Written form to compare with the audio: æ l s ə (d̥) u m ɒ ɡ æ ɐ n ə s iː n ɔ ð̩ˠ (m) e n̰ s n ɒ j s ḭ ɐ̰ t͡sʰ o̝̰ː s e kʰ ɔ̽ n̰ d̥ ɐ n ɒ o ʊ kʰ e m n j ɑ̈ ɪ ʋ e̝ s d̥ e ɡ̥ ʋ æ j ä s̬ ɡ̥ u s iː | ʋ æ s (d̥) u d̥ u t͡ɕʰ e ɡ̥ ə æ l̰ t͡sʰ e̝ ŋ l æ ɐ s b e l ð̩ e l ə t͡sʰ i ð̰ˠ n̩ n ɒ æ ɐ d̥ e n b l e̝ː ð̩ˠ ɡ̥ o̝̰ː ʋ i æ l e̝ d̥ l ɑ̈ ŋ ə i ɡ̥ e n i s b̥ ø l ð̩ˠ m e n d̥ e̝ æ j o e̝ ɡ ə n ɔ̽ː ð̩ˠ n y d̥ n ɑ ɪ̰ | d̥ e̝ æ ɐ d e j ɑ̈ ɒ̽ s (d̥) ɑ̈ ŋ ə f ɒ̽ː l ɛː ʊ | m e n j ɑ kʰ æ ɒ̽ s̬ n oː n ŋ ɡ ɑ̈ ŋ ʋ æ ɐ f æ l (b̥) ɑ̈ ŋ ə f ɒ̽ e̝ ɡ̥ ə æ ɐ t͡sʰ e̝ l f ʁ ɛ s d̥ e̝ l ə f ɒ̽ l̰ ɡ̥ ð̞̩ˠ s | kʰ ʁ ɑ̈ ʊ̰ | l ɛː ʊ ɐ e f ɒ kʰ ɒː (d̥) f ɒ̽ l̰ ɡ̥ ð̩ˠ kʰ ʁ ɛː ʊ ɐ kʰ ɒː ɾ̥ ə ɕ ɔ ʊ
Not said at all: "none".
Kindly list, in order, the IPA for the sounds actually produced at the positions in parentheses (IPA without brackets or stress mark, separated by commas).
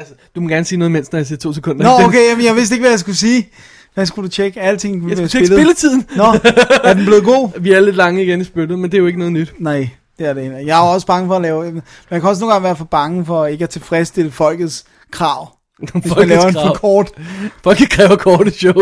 d̥, m, ɡ̥, b̥, b̥, d̥